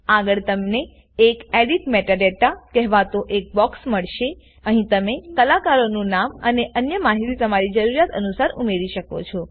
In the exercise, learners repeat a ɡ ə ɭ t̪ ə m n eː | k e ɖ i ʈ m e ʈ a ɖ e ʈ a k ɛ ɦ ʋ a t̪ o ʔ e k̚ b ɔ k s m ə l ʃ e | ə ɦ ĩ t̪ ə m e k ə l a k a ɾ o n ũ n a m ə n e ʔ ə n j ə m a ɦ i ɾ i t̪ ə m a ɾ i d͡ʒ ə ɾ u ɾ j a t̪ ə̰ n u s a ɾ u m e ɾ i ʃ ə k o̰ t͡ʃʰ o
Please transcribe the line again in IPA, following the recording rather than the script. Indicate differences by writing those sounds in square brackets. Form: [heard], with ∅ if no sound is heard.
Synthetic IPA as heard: a ɡ ə ɭ t̪ ə m n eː | k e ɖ i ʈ m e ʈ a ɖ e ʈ a k ɛ ɦ ʋ a t̪ o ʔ e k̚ b ɔ k s m ə [ɭ] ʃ e | ə ɦ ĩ t̪ ə m e k ə l a k a ɾ o n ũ n a m ə n e ʔ ə n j ə m a ɦ i ɾ i t̪ ə m a ɾ i d͡ʒ ə ɾ u ɾ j a t̪ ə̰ n u s a ɾ u m e ɾ i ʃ ə k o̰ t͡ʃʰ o